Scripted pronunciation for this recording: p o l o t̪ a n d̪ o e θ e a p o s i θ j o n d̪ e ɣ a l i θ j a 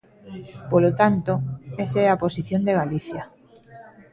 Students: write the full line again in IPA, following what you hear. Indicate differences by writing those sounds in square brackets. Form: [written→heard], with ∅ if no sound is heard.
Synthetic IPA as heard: p o l o t̪ a n [d̪→t̪] o e [θ→s] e a p o s i θ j o n d̪ e ɣ a l i θ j a